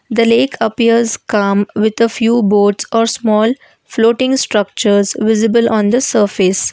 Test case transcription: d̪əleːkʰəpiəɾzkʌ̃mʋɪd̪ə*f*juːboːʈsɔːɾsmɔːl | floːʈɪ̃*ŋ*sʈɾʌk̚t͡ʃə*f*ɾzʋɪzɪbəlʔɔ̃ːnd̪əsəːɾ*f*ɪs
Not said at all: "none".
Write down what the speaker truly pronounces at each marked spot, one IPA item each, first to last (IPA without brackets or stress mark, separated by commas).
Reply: f, ŋ, none, f